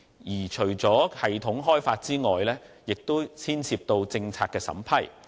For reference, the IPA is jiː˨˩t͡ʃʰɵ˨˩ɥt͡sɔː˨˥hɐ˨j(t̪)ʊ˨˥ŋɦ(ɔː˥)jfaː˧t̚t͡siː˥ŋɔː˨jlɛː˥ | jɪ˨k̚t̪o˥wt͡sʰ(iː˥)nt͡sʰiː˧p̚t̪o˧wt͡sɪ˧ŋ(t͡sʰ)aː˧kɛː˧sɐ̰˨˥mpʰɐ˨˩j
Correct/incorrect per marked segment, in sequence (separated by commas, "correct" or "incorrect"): incorrect, correct, correct, correct